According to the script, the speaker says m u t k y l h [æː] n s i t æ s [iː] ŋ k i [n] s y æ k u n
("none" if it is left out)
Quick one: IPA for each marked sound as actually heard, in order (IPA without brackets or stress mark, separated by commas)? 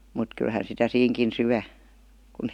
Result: æ, iː, n